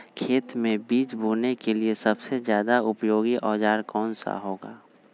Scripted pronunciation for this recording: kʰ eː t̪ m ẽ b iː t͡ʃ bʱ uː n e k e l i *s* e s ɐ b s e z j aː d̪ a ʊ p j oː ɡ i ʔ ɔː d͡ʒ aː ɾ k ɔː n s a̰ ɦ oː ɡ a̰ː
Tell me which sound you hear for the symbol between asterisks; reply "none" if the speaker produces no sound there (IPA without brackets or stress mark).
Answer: none